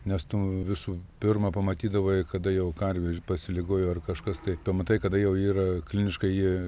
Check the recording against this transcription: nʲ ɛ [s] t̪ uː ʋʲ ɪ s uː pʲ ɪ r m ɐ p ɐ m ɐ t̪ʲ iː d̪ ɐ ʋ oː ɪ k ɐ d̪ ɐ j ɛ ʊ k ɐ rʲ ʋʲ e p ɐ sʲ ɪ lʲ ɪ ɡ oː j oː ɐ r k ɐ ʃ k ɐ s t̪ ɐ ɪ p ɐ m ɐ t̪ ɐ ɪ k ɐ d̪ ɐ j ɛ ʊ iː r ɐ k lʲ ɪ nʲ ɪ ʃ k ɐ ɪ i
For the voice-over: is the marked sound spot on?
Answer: yes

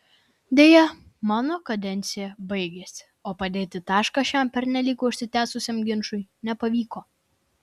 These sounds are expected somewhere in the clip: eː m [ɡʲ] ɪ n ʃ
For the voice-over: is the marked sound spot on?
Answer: yes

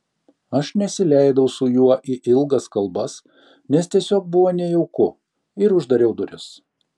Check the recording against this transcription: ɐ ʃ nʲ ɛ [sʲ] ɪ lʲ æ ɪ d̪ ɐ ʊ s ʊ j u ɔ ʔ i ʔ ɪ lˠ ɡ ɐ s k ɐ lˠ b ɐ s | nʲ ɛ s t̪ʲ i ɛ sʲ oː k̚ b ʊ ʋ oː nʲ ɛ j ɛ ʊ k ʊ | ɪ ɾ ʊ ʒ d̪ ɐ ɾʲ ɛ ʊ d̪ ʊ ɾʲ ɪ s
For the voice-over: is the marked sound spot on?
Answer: yes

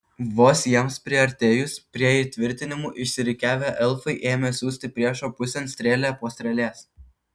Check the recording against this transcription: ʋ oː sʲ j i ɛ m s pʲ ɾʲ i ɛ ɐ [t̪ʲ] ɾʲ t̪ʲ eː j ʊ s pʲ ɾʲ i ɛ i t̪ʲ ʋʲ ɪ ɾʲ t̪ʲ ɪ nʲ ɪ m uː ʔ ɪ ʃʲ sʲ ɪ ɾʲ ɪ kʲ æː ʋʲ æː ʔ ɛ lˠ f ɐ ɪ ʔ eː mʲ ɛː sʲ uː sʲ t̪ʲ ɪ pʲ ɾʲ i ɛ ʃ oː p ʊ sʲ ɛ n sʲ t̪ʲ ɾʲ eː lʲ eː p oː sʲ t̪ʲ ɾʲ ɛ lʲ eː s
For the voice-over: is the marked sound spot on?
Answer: no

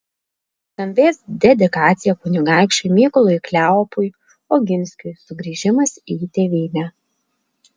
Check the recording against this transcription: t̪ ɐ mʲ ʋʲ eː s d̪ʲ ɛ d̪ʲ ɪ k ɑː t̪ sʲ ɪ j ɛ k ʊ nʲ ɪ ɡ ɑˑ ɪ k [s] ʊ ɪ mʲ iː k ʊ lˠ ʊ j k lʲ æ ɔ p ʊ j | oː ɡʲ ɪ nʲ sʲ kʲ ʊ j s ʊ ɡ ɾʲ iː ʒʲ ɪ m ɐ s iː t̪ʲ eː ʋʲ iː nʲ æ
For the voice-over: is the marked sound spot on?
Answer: no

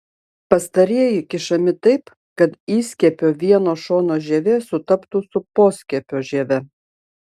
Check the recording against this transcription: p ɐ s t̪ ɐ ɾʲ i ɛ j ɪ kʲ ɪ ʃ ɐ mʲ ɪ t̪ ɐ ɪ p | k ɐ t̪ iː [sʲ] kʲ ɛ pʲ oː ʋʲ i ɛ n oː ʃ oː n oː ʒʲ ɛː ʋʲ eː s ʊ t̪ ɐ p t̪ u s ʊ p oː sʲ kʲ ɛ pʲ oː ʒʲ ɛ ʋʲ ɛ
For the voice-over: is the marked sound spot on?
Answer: yes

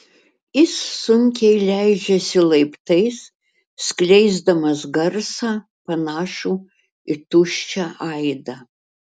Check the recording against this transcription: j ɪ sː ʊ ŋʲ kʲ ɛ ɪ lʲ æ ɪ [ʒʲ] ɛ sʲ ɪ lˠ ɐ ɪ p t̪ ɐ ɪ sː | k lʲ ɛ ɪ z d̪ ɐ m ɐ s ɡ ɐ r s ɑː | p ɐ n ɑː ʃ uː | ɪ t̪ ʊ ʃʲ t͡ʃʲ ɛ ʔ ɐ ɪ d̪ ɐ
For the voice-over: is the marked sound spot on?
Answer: no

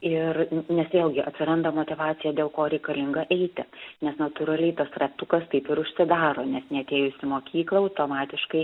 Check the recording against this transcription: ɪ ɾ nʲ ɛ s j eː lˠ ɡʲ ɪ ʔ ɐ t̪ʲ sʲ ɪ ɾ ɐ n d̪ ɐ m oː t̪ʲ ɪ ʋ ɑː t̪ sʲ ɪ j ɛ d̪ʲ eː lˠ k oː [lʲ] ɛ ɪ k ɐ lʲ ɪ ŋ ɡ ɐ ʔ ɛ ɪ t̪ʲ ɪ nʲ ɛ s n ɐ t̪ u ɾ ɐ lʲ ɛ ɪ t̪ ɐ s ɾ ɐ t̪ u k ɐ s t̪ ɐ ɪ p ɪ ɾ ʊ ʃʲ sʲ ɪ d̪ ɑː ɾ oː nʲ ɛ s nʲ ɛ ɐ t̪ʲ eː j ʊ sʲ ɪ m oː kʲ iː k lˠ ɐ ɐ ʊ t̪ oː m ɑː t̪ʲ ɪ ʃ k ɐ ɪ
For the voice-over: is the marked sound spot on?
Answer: no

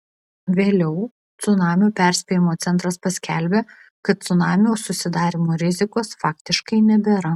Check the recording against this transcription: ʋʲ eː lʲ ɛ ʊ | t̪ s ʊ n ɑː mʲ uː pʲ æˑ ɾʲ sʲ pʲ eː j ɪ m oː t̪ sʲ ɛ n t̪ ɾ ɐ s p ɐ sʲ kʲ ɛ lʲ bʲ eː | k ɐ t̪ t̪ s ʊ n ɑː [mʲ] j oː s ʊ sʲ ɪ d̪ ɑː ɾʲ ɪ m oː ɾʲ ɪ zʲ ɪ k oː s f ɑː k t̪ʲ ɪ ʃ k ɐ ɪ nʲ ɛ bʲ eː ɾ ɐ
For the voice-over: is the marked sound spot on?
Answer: yes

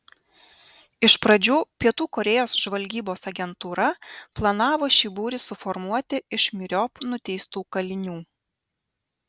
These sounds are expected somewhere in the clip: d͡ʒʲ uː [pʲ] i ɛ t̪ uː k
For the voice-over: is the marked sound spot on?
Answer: yes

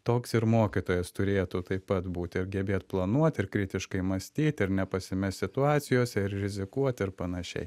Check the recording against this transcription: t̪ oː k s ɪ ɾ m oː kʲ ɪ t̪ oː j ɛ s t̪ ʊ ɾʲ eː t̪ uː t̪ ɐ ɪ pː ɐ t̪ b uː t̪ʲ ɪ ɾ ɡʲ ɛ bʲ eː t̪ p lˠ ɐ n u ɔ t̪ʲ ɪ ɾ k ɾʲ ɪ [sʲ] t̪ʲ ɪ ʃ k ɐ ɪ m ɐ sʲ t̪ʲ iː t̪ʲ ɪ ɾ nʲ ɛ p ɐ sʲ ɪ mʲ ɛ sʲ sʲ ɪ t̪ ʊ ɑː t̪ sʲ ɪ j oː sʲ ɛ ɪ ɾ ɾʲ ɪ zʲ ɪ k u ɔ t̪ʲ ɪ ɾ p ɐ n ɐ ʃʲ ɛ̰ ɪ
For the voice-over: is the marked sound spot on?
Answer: no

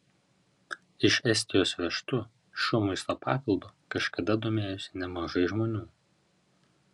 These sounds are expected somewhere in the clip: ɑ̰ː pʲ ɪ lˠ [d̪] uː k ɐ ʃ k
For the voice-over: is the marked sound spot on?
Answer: yes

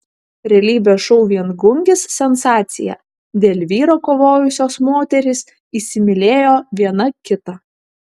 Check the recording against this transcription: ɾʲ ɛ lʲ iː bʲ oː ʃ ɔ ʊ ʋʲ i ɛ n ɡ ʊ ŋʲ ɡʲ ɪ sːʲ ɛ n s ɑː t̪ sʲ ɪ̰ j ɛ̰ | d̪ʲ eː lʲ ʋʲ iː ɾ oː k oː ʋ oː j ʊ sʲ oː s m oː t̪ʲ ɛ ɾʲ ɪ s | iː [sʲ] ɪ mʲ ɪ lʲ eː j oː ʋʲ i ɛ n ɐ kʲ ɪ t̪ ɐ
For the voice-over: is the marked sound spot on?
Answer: yes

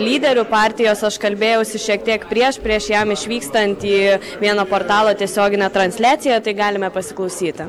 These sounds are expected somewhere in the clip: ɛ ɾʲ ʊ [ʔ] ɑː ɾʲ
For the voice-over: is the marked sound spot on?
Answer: no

